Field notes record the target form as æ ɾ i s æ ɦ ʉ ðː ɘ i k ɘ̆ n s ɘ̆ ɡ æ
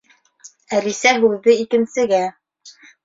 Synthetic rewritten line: æ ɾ i s æ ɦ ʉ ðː ɘ i k ɘ̆ n s ɘ̆ ɡ æ